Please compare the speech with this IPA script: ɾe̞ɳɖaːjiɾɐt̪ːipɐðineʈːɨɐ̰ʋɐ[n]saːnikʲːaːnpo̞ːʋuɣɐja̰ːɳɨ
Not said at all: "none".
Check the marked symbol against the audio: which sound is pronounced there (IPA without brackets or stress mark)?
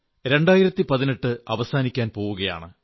none